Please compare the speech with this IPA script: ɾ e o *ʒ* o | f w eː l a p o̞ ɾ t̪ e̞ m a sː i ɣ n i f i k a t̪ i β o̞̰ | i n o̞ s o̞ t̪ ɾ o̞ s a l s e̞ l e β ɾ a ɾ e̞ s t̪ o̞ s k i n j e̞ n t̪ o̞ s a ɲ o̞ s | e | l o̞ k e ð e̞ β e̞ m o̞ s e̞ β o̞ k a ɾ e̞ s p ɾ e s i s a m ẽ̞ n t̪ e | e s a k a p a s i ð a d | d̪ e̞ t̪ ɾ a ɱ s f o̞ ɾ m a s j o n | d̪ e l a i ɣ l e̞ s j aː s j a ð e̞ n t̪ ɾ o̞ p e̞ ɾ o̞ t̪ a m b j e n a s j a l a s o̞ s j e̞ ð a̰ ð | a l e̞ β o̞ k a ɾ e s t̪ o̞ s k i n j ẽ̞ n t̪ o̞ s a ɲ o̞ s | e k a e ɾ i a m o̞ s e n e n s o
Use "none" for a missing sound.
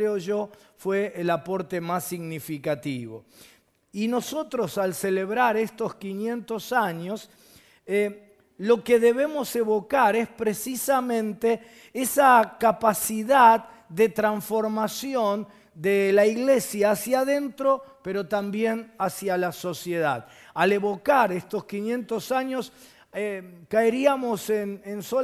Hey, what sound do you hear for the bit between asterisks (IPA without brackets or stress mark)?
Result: ʒ